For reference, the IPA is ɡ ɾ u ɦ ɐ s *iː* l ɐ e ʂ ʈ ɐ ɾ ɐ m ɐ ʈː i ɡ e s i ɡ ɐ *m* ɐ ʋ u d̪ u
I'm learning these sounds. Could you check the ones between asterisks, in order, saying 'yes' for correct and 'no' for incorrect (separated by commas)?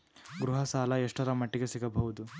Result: no, no